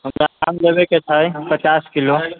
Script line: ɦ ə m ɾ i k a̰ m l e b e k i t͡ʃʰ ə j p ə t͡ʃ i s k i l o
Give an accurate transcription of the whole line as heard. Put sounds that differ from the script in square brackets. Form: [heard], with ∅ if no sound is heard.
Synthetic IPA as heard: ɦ ə m ɾ [a] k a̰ m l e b e k [e] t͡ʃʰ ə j p ə t͡ʃ [a] s k i l o